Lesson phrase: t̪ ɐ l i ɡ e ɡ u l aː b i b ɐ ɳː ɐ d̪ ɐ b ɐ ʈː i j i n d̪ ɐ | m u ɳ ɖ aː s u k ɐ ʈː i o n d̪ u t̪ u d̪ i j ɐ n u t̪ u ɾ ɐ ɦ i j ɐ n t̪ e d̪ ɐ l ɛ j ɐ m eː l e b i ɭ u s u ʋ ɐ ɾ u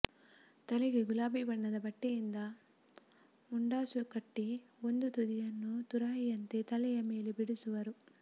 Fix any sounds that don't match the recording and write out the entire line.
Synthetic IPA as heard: t̪ ɐ l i ɡ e ɡ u l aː b i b ɐ ɳː ɐ d̪ ɐ b ɐ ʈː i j i n d̪ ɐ | m u ɳ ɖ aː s u k ɐ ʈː i o n d̪ u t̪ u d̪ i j ɐ nː u t̪ u ɾ ɐ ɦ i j ɐ n t̪ e t̪ ɐ l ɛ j ɐ m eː l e b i ɽ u s u ʋ ɐ ɾ u